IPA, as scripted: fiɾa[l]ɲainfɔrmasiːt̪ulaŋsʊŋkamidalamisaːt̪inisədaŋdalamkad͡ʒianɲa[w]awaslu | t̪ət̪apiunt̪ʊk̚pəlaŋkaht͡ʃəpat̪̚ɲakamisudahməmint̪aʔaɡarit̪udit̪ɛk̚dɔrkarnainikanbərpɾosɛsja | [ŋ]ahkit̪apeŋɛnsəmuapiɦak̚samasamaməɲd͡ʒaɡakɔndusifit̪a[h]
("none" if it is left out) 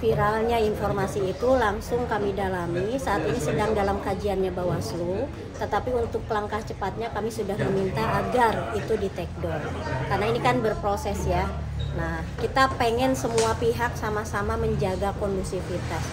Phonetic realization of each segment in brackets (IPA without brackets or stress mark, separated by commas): l, b, n, s